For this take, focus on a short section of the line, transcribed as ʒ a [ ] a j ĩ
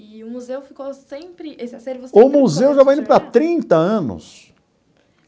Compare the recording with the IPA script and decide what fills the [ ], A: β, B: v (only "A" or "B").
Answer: B